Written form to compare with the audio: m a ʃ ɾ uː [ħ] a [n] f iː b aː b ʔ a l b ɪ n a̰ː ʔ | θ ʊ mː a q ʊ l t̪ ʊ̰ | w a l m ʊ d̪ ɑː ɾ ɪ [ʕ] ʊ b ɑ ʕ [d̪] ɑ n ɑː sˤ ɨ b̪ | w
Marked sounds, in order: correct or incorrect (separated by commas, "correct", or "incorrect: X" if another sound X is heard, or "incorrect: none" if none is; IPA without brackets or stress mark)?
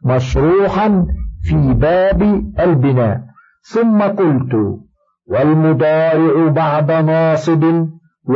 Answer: correct, correct, correct, correct